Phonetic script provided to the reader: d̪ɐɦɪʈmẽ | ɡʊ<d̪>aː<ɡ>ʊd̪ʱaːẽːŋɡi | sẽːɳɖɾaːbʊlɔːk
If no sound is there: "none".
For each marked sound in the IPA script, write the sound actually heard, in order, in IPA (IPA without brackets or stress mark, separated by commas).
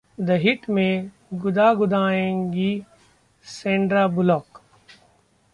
d̪, ɡ